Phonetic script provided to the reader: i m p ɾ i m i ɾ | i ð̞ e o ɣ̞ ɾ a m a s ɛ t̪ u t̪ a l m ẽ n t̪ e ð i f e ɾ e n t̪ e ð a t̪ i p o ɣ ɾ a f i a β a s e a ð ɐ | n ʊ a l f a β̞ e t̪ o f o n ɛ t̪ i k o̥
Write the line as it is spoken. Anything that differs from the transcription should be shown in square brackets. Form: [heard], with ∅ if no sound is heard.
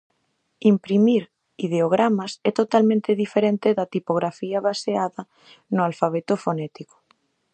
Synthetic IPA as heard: i m p ɾ i m i ɾ | i ð̞ e o ɣ̞ ɾ a m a s ɛ t̪ [o] t̪ a l m ẽ n t̪ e ð i f e ɾ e n t̪ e ð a t̪ i p o ɣ ɾ a f i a β a s e a ð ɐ | n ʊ a l f a β̞ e t̪ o f o n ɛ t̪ i k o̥